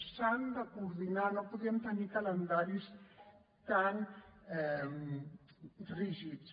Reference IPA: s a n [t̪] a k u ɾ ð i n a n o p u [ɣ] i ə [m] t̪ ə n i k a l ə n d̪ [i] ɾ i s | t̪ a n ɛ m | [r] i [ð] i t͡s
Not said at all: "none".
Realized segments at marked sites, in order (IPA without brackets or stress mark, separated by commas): d̪, ð, m, a, r, ʒ